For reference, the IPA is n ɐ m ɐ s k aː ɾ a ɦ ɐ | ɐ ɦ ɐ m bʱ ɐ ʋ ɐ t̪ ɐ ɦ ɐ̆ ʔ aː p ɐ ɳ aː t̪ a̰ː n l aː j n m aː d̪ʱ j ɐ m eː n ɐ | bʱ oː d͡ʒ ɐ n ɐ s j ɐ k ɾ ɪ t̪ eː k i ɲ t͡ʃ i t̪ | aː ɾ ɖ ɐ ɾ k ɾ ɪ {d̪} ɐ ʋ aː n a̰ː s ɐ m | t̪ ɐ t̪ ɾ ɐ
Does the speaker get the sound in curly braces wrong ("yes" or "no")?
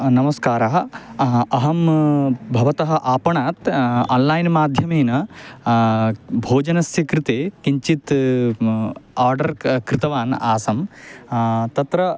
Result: yes